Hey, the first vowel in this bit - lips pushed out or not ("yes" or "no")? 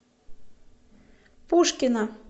yes